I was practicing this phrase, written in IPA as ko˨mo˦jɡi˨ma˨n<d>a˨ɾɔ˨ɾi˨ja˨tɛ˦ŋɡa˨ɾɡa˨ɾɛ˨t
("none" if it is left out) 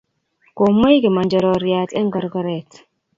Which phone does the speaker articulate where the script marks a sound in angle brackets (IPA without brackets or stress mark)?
d͡ʒ